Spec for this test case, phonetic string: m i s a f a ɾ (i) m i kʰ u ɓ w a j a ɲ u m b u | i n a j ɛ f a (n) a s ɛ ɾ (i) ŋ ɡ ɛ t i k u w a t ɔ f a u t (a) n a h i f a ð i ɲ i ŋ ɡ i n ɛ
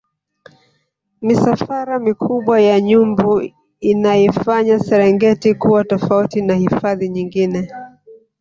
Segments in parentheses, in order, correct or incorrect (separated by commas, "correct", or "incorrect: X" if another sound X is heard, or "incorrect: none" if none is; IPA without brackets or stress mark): incorrect: a, incorrect: ɲ, incorrect: ɛ, incorrect: i